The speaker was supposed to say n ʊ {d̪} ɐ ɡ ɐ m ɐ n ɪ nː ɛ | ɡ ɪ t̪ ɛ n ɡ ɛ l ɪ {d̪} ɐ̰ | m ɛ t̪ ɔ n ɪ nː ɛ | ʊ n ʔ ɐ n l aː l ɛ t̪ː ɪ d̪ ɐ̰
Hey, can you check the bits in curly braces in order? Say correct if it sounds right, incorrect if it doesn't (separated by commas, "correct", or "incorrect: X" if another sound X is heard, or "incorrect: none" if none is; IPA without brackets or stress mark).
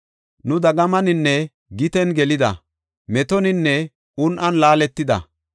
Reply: correct, correct